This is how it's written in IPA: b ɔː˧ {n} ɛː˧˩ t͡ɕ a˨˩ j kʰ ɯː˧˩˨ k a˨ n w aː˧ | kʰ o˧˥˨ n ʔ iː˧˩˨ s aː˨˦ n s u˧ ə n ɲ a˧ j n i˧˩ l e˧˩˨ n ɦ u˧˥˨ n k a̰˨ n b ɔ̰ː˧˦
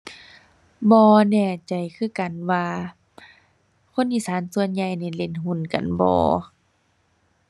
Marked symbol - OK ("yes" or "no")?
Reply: yes